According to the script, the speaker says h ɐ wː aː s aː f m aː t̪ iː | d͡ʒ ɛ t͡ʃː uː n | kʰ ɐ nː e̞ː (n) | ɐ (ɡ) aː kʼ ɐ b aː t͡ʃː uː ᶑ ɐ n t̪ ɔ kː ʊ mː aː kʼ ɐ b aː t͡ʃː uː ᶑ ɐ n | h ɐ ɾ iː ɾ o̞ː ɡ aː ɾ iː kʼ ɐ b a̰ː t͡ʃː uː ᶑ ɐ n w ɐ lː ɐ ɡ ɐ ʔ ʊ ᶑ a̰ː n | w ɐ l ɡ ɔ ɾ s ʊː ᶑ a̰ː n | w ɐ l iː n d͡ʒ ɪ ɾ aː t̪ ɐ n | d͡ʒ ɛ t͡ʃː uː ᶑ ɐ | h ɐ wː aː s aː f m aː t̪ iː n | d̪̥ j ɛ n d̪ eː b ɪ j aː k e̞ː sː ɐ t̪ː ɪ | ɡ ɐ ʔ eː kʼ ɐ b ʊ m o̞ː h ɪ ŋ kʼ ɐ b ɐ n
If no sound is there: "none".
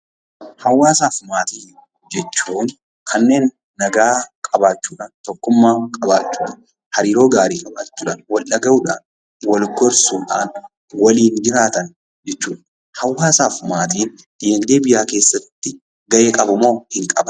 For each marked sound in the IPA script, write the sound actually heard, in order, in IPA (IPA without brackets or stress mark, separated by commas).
nː, ɡ